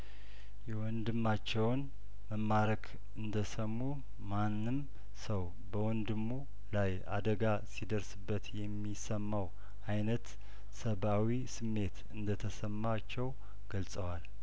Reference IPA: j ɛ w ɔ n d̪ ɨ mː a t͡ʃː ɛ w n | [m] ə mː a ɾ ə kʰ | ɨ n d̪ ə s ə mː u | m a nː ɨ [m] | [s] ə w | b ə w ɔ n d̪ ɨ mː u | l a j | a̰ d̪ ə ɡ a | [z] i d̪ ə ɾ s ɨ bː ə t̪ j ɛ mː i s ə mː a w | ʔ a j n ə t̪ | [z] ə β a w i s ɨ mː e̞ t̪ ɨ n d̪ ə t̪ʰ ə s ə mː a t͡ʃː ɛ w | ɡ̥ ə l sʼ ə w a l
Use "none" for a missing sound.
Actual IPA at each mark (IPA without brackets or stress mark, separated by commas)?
m, m, s, s, s